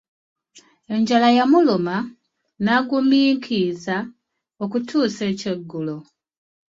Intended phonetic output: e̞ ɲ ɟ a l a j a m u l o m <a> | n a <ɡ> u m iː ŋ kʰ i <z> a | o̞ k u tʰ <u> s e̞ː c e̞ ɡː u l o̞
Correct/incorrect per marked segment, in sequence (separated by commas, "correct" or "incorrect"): correct, correct, correct, incorrect